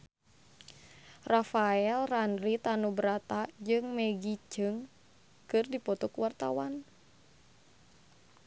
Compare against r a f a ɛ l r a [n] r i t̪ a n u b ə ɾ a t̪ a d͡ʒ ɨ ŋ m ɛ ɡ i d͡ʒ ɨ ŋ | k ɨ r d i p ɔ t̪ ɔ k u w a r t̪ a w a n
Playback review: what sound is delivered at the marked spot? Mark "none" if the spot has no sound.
n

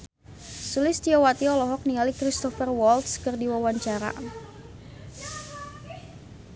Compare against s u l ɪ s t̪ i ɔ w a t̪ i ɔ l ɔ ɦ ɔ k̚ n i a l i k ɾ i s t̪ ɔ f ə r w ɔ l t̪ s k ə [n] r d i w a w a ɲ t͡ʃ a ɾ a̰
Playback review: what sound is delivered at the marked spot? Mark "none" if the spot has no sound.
none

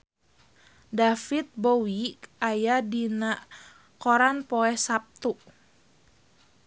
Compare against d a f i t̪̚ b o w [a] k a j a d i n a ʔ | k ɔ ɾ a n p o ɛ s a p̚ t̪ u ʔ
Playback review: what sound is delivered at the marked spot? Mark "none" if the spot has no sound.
i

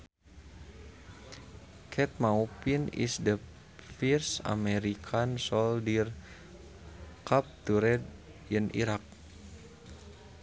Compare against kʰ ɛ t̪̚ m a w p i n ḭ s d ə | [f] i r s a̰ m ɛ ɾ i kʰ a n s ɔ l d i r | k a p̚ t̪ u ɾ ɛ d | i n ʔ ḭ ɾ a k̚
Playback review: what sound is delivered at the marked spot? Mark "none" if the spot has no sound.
f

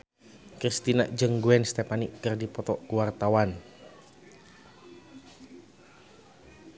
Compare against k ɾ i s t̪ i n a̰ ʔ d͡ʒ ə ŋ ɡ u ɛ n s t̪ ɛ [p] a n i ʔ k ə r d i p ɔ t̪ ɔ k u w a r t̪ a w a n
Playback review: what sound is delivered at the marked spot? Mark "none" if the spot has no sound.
p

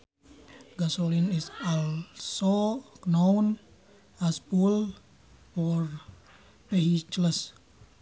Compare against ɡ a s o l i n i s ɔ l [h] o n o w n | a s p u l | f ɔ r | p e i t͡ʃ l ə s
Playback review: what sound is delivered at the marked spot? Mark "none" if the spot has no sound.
s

